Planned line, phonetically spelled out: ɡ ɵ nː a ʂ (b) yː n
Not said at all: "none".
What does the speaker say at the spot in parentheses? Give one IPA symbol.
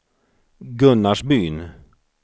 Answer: b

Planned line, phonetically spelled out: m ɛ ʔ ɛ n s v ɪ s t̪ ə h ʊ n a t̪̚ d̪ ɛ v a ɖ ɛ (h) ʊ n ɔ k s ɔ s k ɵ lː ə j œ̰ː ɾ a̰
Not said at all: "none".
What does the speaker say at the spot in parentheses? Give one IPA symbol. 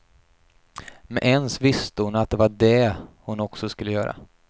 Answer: h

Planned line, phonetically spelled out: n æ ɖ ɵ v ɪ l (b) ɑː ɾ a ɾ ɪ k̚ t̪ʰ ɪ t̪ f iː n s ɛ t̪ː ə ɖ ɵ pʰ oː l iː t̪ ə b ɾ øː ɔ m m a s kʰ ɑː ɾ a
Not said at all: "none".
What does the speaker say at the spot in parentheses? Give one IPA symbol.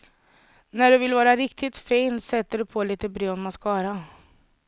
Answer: v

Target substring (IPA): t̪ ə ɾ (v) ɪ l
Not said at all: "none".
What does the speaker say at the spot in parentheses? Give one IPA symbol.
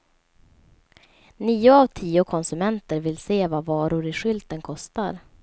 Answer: v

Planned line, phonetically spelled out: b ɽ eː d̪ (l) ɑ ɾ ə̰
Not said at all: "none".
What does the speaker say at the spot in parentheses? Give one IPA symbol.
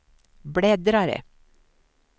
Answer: ɾ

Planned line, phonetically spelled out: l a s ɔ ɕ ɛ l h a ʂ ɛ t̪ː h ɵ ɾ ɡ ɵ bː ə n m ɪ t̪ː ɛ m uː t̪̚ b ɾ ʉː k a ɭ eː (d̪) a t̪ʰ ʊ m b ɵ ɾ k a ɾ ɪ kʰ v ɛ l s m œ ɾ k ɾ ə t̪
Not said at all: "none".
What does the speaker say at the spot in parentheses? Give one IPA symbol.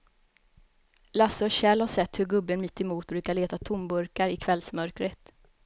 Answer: t̪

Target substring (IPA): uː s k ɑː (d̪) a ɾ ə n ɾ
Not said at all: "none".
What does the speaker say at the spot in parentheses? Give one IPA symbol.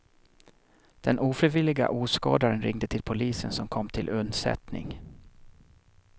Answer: d̪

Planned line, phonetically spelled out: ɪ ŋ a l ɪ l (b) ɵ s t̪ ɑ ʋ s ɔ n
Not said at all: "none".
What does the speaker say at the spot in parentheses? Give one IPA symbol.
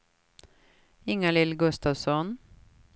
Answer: ɡ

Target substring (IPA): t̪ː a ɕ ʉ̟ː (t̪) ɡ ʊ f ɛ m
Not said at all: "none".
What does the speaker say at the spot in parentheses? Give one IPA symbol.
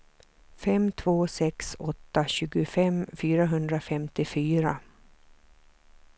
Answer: none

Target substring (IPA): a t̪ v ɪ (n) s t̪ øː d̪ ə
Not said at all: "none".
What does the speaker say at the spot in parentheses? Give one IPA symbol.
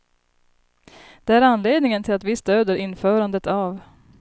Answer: none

